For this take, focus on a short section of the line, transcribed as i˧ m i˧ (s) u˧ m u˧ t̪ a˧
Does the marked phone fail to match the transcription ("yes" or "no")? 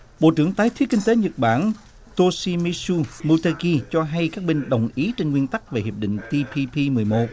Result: no